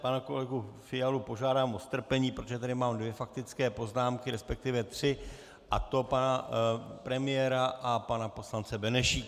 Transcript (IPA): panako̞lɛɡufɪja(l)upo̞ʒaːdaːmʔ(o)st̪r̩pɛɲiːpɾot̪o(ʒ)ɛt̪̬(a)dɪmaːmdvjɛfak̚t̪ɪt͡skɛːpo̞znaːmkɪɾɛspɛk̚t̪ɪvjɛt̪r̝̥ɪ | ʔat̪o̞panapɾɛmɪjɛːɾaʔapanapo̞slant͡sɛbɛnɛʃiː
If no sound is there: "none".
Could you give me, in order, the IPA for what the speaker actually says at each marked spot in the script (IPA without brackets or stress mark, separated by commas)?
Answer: l, o, ʒ, a